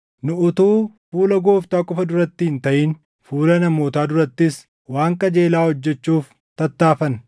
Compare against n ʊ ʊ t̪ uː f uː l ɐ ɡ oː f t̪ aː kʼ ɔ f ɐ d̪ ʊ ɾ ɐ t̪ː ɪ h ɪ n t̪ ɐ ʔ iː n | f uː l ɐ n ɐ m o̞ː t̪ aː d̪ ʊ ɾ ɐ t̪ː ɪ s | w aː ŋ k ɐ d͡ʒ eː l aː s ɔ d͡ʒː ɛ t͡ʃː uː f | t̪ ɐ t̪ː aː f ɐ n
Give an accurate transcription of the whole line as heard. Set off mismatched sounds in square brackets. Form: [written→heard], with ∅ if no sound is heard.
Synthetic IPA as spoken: n ʊ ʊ t̪ uː f uː l ɐ ɡ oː f t̪ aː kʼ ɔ f ɐ d̪ ʊ ɾ ɐ t̪ː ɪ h ɪ n t̪ ɐ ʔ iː n | f uː l ɐ n ɐ m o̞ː t̪ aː d̪ ʊ ɾ ɐ t̪ː ɪ s | w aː ŋ k ɐ d͡ʒ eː l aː [s→h] ɔ d͡ʒː ɛ t͡ʃː uː f | t̪ ɐ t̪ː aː f ɐ n

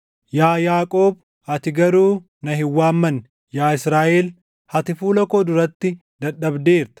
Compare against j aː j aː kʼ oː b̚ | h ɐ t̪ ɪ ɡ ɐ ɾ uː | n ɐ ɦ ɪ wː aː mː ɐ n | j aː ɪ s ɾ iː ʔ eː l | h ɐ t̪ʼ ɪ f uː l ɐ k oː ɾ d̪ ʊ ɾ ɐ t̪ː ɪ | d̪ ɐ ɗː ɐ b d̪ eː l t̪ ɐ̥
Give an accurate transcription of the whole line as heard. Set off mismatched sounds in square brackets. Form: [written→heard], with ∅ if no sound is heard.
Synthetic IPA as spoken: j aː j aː kʼ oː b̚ | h ɐ t̪ ɪ ɡ ɐ ɾ uː | n ɐ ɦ ɪ wː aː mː ɐ n | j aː ɪ s ɾ [iː→aː] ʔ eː l | h ɐ [t̪ʼ→t̪] ɪ f uː l ɐ k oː [ɾ→∅] d̪ ʊ ɾ ɐ t̪ː ɪ | d̪ ɐ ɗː ɐ b d̪ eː [l→ɾ] t̪ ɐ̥

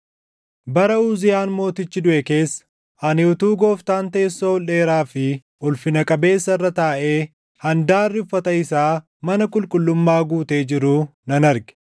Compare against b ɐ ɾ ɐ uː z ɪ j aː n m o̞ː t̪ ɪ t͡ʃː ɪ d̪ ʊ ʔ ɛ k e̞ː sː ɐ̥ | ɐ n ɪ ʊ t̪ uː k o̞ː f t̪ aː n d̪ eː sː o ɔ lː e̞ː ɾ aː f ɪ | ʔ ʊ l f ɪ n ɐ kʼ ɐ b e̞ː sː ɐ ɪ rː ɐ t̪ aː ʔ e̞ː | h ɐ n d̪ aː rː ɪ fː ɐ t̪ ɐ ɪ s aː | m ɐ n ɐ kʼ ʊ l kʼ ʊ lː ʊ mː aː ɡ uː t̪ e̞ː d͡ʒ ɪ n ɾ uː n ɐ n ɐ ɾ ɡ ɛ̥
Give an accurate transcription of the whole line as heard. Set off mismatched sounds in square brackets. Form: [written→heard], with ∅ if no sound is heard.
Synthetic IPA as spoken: b ɐ ɾ ɐ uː z ɪ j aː n m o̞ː t̪ ɪ t͡ʃː ɪ d̪ ʊ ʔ ɛ k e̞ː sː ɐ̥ | ɐ n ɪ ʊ t̪ uː [k→ɡ] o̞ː f t̪ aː n [d̪→t̪] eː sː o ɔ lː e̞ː ɾ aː f ɪ | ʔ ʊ l f ɪ n ɐ kʼ ɐ b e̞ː sː ɐ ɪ rː ɐ t̪ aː ʔ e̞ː | h ɐ n d̪ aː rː ɪ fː ɐ t̪ ɐ ɪ s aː | m ɐ n ɐ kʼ ʊ l kʼ ʊ lː ʊ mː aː ɡ uː t̪ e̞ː d͡ʒ ɪ [n→∅] ɾ uː n ɐ n ɐ ɾ ɡ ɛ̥

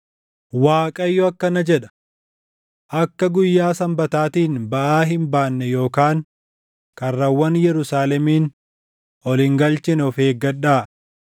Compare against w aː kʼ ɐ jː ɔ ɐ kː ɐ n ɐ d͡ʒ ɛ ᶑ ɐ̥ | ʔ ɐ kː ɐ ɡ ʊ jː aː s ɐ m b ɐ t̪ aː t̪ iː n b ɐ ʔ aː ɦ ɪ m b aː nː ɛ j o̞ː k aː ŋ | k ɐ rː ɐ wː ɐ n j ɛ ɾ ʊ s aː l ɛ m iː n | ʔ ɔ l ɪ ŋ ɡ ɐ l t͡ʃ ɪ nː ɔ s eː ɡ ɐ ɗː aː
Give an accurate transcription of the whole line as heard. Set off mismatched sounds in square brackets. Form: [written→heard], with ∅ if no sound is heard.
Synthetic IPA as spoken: w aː kʼ ɐ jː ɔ ɐ kː ɐ n ɐ d͡ʒ ɛ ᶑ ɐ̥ | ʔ ɐ kː ɐ ɡ ʊ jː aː s ɐ m b ɐ t̪ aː t̪ iː n b ɐ ʔ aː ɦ ɪ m b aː nː ɛ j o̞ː k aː ŋ | k ɐ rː ɐ wː ɐ n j ɛ ɾ ʊ s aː l ɛ m iː n | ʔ ɔ l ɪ ŋ ɡ ɐ l t͡ʃ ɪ [nː→n] ɔ [s→f] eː ɡ ɐ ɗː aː

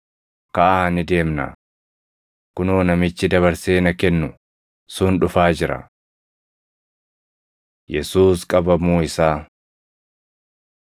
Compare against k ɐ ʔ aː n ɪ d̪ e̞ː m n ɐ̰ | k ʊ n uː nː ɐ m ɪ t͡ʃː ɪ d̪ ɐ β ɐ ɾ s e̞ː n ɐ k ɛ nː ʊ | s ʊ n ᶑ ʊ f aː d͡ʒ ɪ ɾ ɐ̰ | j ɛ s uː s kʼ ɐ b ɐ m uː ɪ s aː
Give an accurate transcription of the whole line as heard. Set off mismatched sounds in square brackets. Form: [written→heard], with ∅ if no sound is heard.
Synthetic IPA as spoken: k ɐ ʔ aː n ɪ d̪ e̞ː m n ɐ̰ | k ʊ n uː [nː→n] ɐ m ɪ t͡ʃː ɪ d̪ ɐ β ɐ ɾ s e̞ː n ɐ k ɛ nː ʊ | s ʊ n ᶑ ʊ f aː d͡ʒ ɪ ɾ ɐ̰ | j ɛ s uː s kʼ ɐ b ɐ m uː ɪ s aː

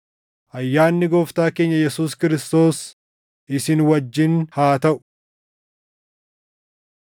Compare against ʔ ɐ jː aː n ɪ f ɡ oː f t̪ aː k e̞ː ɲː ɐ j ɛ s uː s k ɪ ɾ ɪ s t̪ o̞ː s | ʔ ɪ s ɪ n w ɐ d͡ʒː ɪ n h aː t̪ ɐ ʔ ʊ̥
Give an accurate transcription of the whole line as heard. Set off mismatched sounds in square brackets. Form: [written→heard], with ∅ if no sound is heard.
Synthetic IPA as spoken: ʔ ɐ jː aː [n→nː] ɪ [f→∅] ɡ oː f t̪ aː k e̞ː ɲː ɐ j ɛ s uː s k ɪ ɾ ɪ s t̪ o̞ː s | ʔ ɪ s ɪ n w ɐ d͡ʒː ɪ n h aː t̪ ɐ ʔ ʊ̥

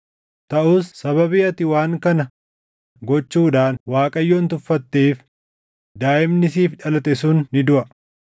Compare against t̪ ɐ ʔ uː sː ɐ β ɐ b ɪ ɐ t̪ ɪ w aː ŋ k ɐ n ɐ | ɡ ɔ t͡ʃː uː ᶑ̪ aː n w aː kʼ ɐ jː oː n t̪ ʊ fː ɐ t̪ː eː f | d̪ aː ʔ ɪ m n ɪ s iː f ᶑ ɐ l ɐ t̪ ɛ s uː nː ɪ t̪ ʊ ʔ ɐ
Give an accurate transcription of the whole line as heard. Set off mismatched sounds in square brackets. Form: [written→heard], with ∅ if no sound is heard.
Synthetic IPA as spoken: t̪ ɐ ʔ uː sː ɐ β ɐ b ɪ ɐ t̪ ɪ w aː ŋ k ɐ n ɐ | ɡ ɔ t͡ʃː uː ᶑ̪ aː n w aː kʼ ɐ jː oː n t̪ ʊ fː ɐ t̪ː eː f | d̪ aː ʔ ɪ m n ɪ s iː f ᶑ ɐ l ɐ t̪ ɛ s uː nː ɪ [t̪→d̪] ʊ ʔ ɐ

